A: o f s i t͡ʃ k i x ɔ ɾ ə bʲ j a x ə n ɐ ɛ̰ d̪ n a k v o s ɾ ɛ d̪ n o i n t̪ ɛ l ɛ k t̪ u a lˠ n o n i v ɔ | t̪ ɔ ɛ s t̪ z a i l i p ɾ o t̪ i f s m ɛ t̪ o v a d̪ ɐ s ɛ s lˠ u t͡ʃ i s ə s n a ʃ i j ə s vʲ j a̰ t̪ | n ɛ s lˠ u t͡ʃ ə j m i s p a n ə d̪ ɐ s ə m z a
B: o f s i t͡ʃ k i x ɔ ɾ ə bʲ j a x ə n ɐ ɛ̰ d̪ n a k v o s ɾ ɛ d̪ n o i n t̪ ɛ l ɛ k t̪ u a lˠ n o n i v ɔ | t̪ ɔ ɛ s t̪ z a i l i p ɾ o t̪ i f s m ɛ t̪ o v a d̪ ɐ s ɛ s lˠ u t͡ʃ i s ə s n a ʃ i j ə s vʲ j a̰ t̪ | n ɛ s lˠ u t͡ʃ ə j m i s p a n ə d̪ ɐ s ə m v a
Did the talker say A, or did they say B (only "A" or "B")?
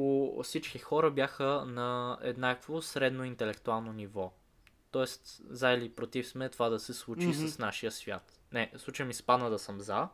A